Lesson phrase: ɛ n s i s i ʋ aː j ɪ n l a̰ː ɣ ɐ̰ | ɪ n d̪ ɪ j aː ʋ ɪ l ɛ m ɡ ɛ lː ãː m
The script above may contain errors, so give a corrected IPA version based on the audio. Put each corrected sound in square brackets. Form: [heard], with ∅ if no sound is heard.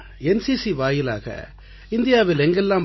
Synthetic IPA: ɛ n s i s i ʋ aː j ɪ [∅] l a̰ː ɣ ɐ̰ | ɪ n d̪ ɪ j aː ʋ ɪ l ɛ [ŋ] ɡ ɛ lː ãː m